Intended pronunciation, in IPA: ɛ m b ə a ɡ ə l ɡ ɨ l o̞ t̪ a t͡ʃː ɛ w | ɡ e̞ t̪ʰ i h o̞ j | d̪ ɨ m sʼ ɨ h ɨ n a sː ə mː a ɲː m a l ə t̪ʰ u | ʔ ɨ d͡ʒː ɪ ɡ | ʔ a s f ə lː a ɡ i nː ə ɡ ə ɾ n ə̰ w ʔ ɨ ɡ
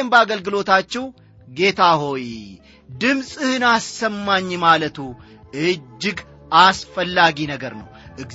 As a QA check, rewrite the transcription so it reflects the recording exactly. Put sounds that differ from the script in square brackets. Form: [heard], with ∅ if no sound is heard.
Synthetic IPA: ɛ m b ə a ɡ ə l ɡ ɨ l o̞ t̪ a t͡ʃː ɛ w | ɡ e̞ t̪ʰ [a] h o̞ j | d̪ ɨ m sʼ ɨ h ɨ n a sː ə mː a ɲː m a l ə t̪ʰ u | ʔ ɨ d͡ʒː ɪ ɡ | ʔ a s f ə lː a ɡ i [n] ə ɡ ə ɾ n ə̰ w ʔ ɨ ɡ